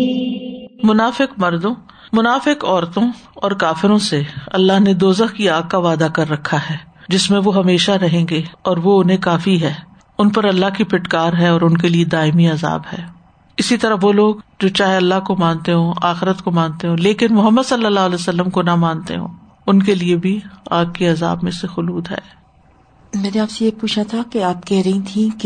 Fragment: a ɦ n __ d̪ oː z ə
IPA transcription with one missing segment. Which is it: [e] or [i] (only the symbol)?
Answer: e